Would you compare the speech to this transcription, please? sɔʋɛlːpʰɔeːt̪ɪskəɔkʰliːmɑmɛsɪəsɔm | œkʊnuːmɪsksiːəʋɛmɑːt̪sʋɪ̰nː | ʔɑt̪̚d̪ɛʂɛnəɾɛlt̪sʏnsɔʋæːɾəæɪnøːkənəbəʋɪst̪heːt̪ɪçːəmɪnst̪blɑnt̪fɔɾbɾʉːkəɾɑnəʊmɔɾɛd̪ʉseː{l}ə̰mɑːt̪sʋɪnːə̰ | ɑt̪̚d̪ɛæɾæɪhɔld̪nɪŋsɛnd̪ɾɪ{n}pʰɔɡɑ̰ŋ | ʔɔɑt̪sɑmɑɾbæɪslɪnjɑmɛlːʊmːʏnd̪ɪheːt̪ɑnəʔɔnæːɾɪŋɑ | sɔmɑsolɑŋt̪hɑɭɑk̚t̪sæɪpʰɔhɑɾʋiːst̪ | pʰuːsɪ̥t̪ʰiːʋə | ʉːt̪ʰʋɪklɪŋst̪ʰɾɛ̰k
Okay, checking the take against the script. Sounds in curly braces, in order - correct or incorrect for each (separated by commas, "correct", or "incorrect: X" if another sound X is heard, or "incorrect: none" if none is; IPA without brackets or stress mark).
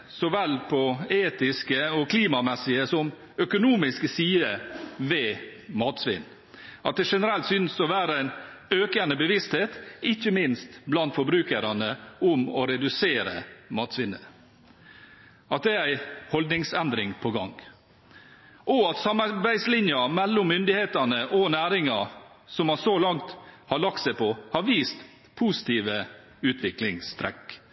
incorrect: ɾ, incorrect: ŋ